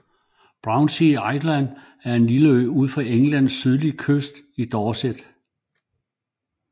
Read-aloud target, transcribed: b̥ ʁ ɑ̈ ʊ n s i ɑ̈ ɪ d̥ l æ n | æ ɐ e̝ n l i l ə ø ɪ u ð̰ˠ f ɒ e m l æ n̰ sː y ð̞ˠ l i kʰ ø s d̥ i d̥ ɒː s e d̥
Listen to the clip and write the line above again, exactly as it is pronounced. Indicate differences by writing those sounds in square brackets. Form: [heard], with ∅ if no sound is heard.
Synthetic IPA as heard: b̥ ʁ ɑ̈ ʊ n s i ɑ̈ ɪ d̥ l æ n | æ ɐ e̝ n l i l ə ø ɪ u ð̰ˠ f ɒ e [ŋ] l æ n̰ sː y ð̞ˠ l i kʰ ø s d̥ i d̥ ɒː s e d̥

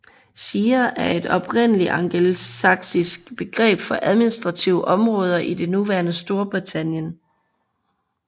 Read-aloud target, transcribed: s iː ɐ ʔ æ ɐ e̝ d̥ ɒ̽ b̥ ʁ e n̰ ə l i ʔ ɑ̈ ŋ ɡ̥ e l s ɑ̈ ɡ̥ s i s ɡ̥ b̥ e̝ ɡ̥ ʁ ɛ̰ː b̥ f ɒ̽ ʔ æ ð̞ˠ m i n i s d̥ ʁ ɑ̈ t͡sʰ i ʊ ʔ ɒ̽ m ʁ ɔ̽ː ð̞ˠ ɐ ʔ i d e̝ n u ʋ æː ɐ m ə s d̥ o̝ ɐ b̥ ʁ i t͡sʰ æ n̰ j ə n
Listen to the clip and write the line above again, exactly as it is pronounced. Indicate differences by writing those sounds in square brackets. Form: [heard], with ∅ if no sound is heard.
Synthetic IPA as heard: s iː ɐ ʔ æ ɐ e̝ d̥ ɒ̽ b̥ ʁ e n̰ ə l i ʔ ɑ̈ ŋ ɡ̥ e l s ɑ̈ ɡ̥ s i s ɡ̥ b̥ e̝ ɡ̥ ʁ ɛ̰ː b̥ f ɒ̽ ʔ æ ð̞ˠ m i n i s d̥ ʁ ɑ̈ t͡sʰ i ʊ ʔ ɒ̽ m ʁ ɔ̽ː ð̞ˠ ɐ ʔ i d e̝ n u ʋ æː ɐ [n] ə s d̥ o̝ ɐ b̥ ʁ i t͡sʰ æ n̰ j ə n

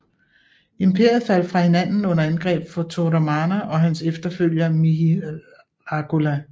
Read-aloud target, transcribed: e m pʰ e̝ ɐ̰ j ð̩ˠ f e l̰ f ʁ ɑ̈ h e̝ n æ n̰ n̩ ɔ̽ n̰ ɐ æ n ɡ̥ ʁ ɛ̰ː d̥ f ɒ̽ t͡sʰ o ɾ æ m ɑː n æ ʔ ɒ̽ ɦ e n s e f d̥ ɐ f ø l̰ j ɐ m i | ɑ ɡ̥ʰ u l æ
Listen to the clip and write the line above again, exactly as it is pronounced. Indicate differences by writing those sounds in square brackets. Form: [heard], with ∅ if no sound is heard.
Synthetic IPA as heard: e m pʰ e̝ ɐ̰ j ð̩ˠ f [æ] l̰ f ʁ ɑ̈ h e̝ n æ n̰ n̩ ɔ̽ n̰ ɐ æ n ɡ̥ ʁ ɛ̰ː [b̥] f ɒ̽ t͡sʰ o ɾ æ m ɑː n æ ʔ ɒ̽ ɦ [æ] n s e f d̥ ɐ f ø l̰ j ɐ m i | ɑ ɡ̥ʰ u l æ

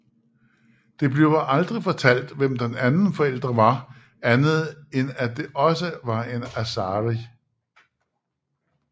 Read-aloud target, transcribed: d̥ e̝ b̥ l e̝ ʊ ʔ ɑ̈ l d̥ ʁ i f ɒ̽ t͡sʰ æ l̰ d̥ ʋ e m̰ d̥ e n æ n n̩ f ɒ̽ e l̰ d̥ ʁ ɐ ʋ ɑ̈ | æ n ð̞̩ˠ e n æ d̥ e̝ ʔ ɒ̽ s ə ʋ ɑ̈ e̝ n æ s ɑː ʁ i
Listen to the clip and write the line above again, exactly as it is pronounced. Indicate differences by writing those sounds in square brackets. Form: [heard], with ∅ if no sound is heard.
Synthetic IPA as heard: d̥ e̝ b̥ l e̝ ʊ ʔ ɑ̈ l d̥ ʁ i f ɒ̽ t͡sʰ æ l̰ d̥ ʋ e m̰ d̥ e n æ n n̩ f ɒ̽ e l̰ d̥ ʁ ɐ ʋ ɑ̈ | æ n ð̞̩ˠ e n æ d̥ e̝ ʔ ɒ̽ s ə ʋ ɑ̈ e̝ n æ s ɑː ʁ i

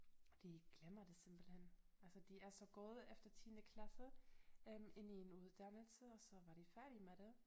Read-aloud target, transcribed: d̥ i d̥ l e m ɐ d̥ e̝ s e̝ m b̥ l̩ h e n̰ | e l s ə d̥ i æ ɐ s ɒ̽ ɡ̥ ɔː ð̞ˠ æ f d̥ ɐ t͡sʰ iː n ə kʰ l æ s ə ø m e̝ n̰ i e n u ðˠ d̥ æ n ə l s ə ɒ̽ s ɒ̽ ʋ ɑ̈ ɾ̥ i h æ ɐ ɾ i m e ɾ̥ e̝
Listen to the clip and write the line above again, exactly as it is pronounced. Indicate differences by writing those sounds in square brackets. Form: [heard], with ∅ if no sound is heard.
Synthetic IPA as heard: d̥ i [ɡ̥] l e m ɐ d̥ e̝ s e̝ m b̥ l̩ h e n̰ | [æ] l s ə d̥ i æ ɐ s ɒ̽ ɡ̥ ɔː ð̞ˠ [e] f d̥ ɐ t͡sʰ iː n ə kʰ l æ s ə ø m e̝ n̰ i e n u ðˠ d̥ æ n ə l s ə ɒ̽ s ɒ̽ ʋ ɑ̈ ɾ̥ i [f] æ ɐ ɾ i m e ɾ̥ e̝

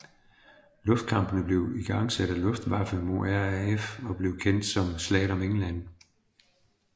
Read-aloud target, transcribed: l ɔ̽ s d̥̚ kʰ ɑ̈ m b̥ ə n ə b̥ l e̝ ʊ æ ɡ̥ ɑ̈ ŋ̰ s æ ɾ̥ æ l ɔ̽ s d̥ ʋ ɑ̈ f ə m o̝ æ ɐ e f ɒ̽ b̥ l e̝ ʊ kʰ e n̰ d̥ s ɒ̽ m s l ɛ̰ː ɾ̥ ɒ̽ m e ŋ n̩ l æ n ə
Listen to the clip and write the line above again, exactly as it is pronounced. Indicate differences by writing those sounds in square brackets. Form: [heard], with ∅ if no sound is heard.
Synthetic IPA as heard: l ɔ̽ [f] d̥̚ kʰ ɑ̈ m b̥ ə n ə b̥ l e̝ ʊ [i] ɡ̥ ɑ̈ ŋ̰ s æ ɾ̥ æ l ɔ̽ [f] d̥ ʋ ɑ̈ f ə m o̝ æ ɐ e f ɒ̽ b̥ l e̝ ʊ kʰ e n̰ d̥ s ɒ̽ m s l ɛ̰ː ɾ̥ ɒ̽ m e ŋ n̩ l æ n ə

